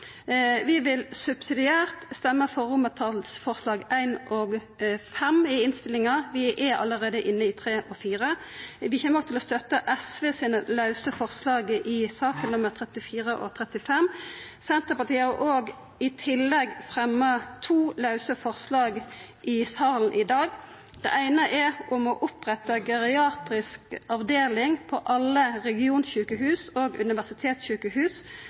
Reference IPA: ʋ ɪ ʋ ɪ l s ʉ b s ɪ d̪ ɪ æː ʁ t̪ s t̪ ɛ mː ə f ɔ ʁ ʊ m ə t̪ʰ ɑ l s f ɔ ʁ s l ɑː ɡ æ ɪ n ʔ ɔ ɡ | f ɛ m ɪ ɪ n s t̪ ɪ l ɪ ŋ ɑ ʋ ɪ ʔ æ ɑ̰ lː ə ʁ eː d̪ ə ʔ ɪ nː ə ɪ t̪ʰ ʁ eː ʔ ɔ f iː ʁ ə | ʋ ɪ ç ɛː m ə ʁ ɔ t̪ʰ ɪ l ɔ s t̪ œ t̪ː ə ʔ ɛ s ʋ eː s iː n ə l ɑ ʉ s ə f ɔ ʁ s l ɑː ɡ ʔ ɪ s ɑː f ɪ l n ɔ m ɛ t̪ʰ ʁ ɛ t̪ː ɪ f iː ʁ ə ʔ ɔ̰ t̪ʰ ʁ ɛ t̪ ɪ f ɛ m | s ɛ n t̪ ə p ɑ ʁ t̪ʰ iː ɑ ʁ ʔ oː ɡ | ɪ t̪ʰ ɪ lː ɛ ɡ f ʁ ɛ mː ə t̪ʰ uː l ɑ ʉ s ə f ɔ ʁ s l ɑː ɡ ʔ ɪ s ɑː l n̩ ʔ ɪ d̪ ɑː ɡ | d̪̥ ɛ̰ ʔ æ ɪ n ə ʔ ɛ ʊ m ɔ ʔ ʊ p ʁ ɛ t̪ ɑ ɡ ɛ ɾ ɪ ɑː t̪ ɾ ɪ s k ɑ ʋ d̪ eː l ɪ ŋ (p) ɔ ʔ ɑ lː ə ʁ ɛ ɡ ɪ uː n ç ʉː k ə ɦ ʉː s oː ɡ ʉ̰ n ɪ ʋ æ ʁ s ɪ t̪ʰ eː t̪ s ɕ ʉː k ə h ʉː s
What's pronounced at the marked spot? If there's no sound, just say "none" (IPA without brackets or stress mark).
pʰ